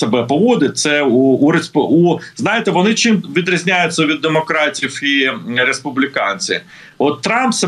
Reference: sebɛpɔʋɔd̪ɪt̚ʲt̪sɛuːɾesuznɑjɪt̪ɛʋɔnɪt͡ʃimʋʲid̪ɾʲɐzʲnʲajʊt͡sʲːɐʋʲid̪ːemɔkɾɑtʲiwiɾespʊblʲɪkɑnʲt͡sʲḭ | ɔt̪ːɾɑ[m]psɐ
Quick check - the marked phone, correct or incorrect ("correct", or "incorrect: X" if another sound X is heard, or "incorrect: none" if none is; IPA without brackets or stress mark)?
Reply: correct